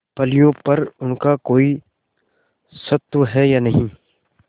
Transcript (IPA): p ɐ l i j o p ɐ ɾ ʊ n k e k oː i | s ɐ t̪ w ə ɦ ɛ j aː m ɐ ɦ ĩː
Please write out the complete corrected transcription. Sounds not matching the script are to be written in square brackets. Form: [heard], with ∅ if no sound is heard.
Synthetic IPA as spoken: p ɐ l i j [õ] p ɐ ɾ ʊ n k [a] k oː i | s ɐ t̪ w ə ɦ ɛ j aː [n] ɐ ɦ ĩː